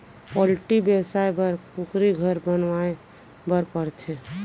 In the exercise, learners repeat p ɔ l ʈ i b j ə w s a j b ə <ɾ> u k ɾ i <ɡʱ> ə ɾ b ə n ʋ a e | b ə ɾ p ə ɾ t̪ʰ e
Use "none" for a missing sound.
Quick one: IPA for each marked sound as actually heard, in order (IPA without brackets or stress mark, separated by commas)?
ɾ, ɡʱ